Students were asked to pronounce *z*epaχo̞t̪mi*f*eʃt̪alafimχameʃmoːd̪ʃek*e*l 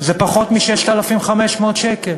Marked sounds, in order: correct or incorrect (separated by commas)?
correct, incorrect, correct